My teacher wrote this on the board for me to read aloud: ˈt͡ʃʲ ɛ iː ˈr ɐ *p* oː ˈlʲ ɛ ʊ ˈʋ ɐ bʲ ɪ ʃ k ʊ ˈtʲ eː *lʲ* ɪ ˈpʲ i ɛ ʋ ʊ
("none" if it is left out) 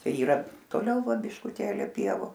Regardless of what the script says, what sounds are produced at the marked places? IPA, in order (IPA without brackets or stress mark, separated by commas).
t, lʲ